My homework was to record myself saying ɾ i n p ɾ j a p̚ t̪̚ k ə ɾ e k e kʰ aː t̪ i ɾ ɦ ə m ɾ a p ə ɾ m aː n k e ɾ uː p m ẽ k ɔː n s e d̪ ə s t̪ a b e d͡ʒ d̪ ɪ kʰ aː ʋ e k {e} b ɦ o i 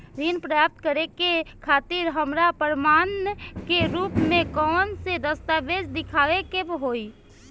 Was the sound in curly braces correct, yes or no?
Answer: yes